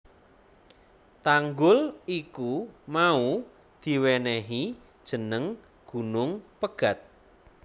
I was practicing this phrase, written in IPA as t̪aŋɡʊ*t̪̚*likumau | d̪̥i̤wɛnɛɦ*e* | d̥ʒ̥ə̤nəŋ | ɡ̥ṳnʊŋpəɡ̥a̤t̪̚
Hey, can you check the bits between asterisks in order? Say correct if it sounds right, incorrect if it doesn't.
incorrect: none, incorrect: i

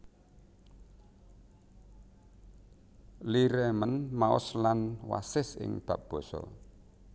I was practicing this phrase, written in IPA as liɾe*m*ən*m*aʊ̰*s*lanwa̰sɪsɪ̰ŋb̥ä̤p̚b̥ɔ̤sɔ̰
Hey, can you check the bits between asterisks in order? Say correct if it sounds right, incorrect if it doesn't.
correct, correct, correct

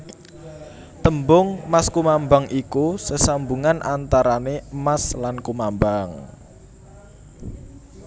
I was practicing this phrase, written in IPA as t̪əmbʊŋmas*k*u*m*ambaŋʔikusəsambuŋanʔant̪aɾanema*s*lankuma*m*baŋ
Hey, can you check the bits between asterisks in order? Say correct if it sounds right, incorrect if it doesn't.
correct, correct, correct, correct

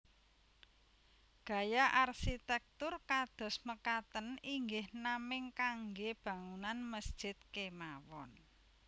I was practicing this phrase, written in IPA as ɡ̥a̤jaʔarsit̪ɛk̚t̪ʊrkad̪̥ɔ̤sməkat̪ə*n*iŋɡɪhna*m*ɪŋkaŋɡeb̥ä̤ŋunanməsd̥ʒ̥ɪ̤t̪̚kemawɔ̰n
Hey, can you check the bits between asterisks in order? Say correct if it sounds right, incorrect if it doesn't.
correct, correct

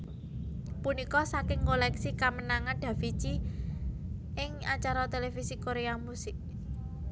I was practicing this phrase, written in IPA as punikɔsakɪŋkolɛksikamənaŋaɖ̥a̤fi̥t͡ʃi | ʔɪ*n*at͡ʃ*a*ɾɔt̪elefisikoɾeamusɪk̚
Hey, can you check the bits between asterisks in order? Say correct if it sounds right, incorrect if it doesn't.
incorrect: ŋ, correct

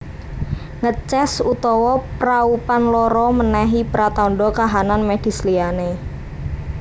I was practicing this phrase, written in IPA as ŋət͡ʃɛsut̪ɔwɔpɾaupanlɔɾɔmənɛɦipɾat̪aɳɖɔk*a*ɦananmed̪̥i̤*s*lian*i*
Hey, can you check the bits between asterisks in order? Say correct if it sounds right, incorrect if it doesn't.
correct, correct, incorrect: e

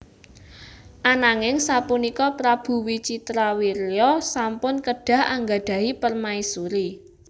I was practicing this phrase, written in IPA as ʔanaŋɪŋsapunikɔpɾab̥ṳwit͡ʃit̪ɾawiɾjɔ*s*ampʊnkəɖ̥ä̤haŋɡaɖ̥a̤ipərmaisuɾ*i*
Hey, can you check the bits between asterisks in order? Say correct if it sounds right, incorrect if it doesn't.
correct, correct

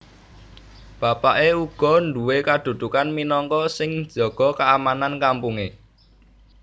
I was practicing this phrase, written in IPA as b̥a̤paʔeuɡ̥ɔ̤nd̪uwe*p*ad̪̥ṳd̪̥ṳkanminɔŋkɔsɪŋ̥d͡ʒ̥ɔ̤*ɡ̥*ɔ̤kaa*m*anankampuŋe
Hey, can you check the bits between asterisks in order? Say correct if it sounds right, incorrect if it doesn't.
incorrect: k, correct, correct

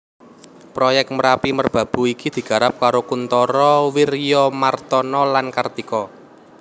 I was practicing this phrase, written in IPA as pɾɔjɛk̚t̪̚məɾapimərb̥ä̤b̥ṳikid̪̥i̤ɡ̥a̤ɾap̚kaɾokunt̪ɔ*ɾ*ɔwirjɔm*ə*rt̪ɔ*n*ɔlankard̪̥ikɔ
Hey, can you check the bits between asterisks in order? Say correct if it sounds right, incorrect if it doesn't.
correct, incorrect: a, correct

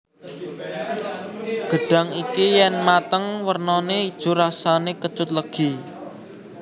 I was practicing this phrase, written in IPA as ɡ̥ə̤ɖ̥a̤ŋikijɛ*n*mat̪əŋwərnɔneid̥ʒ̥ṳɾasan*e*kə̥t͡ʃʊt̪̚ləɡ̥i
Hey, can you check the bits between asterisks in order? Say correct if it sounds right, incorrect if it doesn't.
correct, correct

